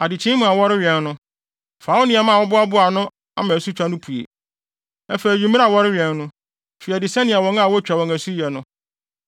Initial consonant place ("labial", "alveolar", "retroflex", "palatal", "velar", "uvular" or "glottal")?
alveolar